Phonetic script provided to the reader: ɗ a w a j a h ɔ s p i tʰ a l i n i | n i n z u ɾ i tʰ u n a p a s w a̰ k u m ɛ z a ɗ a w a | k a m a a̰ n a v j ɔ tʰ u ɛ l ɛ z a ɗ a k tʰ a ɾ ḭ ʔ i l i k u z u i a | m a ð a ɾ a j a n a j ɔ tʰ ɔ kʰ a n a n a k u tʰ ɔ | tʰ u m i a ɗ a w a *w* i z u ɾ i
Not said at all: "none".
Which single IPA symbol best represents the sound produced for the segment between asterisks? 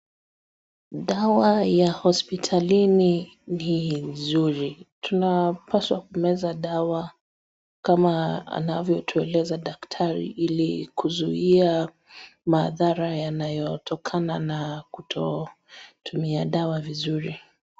v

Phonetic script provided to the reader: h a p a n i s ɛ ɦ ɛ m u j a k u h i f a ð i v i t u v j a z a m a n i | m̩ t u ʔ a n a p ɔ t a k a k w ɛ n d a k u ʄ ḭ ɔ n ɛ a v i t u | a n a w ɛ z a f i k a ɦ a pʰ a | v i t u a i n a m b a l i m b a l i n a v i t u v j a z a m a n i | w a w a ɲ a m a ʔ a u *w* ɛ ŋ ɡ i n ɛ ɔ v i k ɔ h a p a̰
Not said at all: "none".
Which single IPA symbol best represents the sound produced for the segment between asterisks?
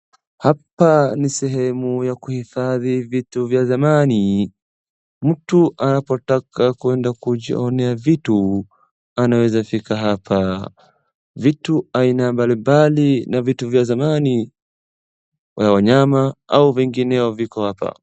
v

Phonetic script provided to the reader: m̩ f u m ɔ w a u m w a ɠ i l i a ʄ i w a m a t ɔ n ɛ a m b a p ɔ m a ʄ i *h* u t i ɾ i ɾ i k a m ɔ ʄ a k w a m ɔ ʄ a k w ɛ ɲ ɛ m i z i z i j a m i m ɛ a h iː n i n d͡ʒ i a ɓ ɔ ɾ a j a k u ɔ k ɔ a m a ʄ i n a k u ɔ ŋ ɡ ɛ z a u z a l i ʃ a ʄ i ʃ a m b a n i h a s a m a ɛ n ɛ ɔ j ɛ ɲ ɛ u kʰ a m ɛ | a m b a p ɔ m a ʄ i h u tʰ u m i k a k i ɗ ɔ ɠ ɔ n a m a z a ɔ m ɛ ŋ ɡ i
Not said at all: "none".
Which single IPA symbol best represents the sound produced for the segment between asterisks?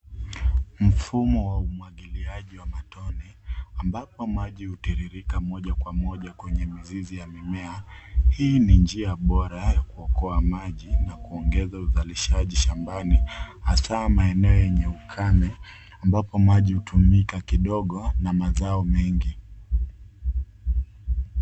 h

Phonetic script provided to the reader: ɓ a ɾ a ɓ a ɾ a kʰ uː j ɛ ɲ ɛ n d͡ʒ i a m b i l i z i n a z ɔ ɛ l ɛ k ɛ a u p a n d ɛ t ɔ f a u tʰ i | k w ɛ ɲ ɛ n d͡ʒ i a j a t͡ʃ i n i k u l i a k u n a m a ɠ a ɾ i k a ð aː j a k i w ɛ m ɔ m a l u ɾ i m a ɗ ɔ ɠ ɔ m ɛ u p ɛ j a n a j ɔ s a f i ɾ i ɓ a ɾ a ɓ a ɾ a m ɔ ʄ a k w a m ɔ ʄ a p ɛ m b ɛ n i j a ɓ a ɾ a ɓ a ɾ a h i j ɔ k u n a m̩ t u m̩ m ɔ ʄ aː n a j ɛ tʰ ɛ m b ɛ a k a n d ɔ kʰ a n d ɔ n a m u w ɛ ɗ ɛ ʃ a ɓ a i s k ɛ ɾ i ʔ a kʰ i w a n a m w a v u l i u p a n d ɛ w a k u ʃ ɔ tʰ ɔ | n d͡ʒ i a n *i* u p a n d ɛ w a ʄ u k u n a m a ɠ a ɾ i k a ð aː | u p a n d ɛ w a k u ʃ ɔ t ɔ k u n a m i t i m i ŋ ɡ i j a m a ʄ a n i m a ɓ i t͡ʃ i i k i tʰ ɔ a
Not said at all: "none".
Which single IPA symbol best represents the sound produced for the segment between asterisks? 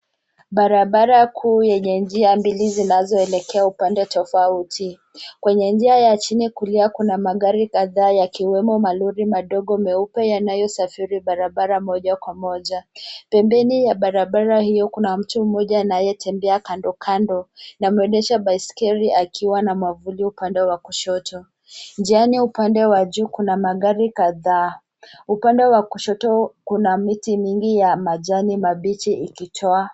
i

